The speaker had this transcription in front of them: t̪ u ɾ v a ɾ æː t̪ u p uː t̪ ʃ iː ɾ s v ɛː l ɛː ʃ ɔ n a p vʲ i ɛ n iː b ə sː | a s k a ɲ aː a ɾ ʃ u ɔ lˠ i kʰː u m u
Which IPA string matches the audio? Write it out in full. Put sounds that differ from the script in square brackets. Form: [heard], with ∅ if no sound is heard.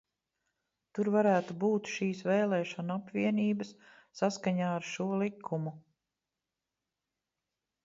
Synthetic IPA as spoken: t̪ u ɾ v a ɾ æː t̪ u [b] uː t̪ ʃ iː [∅] s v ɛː l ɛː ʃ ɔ n a p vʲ i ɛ n iː b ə sː | a s k a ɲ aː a ɾ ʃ u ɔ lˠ i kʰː u m u

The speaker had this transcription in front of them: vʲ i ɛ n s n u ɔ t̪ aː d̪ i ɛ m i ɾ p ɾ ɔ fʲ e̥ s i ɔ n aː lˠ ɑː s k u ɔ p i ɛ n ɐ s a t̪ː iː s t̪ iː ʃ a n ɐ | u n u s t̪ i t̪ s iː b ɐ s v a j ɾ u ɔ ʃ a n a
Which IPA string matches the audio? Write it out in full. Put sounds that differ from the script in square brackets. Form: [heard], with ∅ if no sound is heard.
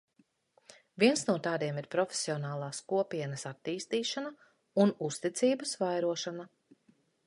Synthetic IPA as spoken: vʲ i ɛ n s n u ɔ t̪ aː d̪ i ɛ m i ɾ p ɾ ɔ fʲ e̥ s i ɔ n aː lˠ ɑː s k u ɔ p i ɛ n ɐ s a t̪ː iː s t̪ iː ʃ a n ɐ | u n u s t̪ i t̪ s iː b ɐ s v a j ɾ u ɔ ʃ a n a

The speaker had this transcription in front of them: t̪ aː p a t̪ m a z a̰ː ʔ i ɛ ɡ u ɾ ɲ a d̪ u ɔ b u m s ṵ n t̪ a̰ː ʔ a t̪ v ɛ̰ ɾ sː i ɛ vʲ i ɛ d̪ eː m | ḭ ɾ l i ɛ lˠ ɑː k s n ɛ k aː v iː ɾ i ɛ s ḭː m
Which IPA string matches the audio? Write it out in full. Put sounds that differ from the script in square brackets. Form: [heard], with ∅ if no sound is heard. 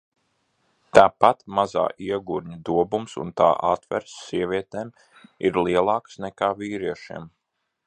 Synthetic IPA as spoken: t̪ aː p a t̪ m a z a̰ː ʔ i ɛ ɡ u ɾ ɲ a d̪ u ɔ b u m s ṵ n t̪ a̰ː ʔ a t̪ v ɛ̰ ɾ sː i ɛ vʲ i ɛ [t̪] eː m | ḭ ɾ l i ɛ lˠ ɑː k s n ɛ k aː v iː ɾ i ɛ [ʃ] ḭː m

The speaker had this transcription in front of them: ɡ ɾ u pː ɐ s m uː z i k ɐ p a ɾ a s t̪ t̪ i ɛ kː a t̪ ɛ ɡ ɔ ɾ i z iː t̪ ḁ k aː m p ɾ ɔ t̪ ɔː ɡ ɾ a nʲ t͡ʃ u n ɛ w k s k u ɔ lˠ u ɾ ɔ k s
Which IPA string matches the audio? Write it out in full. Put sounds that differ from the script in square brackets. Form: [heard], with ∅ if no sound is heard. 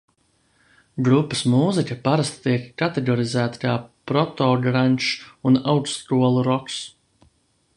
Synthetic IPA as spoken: ɡ ɾ u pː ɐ s m uː z i k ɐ p a ɾ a s t̪ t̪ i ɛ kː a t̪ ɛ ɡ ɔ ɾ i z [æː] t̪ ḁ k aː [∅] p ɾ ɔ t̪ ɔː ɡ ɾ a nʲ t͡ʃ u n [a] w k s k u ɔ lˠ u ɾ ɔ k s

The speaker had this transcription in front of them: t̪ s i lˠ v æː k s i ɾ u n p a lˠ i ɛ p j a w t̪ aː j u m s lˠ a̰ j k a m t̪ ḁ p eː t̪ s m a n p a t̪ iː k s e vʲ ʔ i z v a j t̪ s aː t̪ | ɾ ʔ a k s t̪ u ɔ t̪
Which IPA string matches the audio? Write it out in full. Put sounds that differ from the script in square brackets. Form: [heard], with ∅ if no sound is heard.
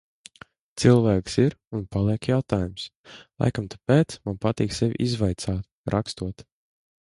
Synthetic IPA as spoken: t̪ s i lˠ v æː k s i ɾ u n p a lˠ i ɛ [k] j a w t̪ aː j u m s lˠ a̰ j k a m t̪ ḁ p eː t̪ s m a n p a t̪ iː k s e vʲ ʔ i z v a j t̪ s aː t̪ | ɾ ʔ a k s t̪ u ɔ t̪

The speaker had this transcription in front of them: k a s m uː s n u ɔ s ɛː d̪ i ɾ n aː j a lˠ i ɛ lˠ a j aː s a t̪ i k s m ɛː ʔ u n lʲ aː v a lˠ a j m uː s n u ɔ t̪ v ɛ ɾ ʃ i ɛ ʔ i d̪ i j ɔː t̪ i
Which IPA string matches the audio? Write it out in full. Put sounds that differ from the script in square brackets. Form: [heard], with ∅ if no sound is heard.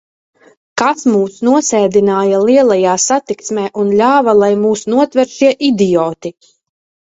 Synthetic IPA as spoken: k a s m uː s n u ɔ s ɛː d̪ i [∅] n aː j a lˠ i ɛ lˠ a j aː s a t̪ i k s m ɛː ʔ u n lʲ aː v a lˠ a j m uː s n u ɔ t̪ v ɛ ɾ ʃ i ɛ ʔ i d̪ i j ɔː t̪ i

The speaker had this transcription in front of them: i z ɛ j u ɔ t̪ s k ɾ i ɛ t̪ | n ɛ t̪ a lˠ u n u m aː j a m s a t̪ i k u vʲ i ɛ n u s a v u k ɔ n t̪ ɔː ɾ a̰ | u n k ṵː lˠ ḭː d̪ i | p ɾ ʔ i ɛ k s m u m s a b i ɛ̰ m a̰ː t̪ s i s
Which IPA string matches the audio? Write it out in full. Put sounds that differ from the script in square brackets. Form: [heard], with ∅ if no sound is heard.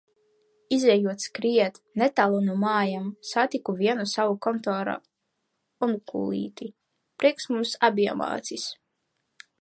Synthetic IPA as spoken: i z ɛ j u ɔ t̪ s k ɾ i ɛ t̪ | n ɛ t̪ a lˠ u n u m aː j a m s a t̪ i k u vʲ i ɛ n u s a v u k ɔ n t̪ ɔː ɾ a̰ | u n k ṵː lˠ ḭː [t̪] i | p ɾ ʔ i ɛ k s m u m s a b i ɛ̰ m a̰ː t̪ s i s

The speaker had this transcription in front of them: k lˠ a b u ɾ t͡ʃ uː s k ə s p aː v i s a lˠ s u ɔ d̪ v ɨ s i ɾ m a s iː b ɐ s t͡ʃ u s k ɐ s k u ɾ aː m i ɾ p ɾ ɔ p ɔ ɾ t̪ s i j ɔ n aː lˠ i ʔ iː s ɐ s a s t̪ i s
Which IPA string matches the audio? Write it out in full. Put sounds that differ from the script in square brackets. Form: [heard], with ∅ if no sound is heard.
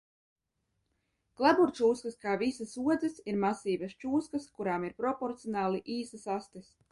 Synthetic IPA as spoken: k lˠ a b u ɾ t͡ʃ uː s k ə s [k] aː v i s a [∅] s u ɔ d̪ [z] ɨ s i ɾ m a s iː b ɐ s t͡ʃ [uː] s k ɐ s k u ɾ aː m i ɾ p ɾ ɔ p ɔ ɾ t̪ s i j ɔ n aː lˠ i ʔ iː s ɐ s a s t̪ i s

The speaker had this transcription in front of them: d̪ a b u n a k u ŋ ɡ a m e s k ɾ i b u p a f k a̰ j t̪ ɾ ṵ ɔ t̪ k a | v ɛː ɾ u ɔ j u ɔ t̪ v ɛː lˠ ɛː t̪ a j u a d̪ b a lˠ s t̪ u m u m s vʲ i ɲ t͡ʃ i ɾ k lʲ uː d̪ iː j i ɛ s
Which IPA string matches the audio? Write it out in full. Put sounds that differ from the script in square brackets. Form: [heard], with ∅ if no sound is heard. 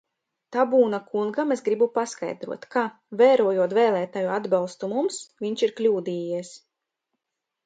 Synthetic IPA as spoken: [t̪] a b [uː] n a k u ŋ ɡ a m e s [ɡ] ɾ i b u p a [s] k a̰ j [d̪] ɾ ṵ ɔ t̪ k a | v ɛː ɾ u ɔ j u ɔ t̪ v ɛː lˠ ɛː t̪ a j u a d̪ b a lˠ s t̪ u m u m s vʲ i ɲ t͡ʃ i ɾ k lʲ uː d̪ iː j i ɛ s

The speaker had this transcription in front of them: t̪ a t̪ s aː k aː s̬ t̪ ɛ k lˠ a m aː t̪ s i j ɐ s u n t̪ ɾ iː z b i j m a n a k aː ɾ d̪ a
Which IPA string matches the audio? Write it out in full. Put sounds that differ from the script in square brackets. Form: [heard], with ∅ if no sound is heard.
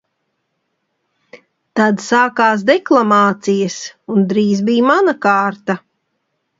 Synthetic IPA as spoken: t̪ a [d̪] s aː k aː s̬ [d̪] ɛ k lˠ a m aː t̪ s i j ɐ s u n [d̪] ɾ iː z b i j m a n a k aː ɾ [t̪] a

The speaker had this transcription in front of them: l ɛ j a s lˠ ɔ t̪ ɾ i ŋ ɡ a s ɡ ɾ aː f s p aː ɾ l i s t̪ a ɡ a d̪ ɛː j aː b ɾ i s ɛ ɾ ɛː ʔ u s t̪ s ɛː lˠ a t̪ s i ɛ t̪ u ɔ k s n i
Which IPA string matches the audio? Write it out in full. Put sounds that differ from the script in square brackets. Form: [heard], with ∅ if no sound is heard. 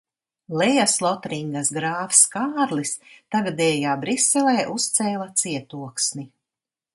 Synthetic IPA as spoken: l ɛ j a s lˠ ɔ t̪ ɾ i ŋ ɡ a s ɡ ɾ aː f s [k] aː ɾ l i s t̪ a ɡ a d̪ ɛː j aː b ɾ i s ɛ [l] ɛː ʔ u s t̪ s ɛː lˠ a t̪ s i ɛ t̪ u ɔ k s n i

